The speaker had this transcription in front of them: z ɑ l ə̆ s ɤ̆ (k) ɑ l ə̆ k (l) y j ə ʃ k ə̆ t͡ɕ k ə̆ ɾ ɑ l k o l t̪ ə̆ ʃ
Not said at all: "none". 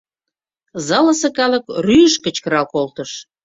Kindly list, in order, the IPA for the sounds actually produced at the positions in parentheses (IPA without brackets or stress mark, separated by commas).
k, r